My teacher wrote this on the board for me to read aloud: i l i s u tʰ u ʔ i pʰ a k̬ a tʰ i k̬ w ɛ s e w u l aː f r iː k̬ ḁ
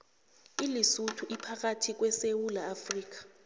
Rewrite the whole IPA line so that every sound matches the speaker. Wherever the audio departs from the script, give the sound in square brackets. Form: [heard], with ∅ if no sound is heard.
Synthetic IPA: i l i s u tʰ u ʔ i pʰ a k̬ a tʰ i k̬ w ɛ s e w u l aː f r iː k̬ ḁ